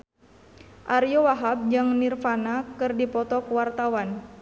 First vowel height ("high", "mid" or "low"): low